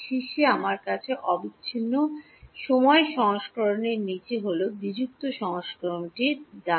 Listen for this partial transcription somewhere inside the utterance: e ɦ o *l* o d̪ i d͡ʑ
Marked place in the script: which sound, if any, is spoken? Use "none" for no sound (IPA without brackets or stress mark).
l